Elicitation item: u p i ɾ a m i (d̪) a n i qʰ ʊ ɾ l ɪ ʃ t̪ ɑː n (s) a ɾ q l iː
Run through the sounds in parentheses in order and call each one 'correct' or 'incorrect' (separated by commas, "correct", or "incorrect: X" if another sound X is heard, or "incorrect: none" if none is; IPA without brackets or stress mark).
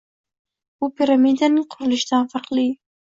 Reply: correct, incorrect: f